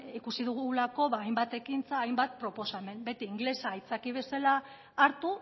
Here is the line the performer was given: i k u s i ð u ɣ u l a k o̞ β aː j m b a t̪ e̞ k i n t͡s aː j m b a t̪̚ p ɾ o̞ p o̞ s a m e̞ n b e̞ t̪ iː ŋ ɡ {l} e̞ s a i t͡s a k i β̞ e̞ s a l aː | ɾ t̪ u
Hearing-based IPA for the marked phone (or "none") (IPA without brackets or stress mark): l